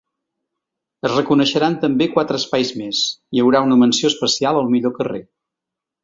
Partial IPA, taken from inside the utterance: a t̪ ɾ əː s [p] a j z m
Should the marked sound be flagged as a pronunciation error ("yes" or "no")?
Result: no